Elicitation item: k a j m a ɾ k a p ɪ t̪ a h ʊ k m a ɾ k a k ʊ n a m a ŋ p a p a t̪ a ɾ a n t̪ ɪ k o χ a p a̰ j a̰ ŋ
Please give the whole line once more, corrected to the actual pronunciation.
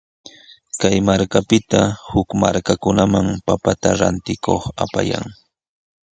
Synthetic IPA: k a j m a ɾ k a p ɪ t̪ a h ʊ k m a ɾ k a k ʊ n a m a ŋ p a p a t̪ a ɾ a n t̪ ɪ k o χ a p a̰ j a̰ ŋ